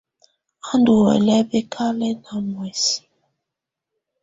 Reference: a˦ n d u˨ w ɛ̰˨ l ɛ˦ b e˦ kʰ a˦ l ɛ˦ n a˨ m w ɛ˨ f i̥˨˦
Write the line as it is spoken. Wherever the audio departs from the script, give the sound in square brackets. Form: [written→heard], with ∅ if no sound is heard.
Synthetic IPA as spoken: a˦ n d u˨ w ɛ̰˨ l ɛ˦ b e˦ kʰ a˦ l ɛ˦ n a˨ m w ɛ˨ [f→s] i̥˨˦